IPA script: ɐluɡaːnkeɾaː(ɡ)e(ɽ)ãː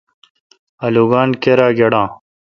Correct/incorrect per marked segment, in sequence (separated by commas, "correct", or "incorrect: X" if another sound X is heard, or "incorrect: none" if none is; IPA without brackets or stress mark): correct, correct